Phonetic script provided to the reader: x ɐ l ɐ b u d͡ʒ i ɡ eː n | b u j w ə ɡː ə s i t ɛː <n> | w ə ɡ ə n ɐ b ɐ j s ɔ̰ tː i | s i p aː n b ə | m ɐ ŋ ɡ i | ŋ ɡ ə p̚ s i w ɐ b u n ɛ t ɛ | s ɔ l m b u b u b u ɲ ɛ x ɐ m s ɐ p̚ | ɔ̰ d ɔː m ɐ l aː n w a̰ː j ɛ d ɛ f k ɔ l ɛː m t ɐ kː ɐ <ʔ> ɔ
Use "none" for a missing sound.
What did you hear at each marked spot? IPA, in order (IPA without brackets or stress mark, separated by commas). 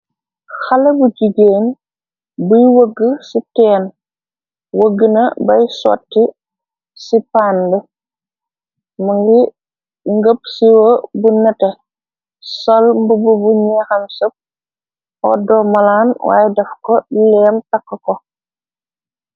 n, k